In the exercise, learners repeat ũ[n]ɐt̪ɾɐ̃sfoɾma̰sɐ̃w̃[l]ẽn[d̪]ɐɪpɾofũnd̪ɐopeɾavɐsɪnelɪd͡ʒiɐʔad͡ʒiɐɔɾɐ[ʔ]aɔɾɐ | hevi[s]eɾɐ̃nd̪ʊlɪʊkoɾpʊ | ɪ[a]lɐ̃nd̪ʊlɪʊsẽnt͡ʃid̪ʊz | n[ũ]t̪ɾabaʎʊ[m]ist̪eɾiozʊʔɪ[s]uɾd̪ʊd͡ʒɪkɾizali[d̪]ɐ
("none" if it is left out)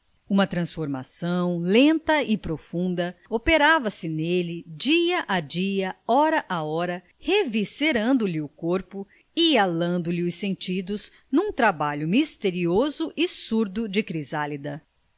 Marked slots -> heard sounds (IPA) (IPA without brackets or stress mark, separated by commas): m, l, t̪, ʔ, s, a, ũ, m, s, d̪